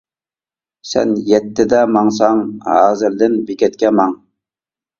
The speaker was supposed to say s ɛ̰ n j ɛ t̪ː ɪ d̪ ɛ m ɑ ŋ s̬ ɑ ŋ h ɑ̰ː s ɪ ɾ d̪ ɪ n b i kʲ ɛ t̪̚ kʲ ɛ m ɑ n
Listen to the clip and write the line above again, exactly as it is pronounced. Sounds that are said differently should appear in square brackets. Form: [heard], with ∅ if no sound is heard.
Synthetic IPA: s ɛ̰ n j ɛ t̪ː ɪ d̪ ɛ m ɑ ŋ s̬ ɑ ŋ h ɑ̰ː [z] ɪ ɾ d̪ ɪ n b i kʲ ɛ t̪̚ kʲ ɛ m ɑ [ŋ]